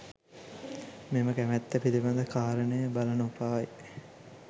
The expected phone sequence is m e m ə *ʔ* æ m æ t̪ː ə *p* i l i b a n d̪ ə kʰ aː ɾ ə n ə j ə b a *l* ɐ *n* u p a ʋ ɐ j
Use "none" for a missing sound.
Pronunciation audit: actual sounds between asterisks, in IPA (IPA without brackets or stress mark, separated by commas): k, p, l, n